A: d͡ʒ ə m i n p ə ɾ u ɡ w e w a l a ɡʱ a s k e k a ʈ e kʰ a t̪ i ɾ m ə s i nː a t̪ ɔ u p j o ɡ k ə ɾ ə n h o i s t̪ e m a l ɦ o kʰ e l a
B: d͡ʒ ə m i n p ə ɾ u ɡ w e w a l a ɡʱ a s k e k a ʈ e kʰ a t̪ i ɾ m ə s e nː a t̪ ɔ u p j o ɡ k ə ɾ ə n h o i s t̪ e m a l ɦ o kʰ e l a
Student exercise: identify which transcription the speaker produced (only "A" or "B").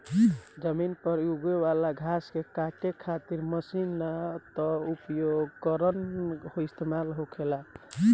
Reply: A